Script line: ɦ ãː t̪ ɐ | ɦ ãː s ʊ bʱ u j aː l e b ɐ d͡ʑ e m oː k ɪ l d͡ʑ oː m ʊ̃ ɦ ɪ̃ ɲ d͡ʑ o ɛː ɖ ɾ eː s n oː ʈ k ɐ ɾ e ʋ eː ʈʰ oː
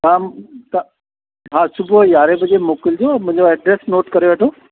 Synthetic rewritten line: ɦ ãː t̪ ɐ | ɦ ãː s ʊ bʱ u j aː ɾ e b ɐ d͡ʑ e m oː k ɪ l d͡ʑ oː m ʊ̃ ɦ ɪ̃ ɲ d͡ʑ o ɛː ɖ ɾ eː s n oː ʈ k ɐ ɾ e ʋ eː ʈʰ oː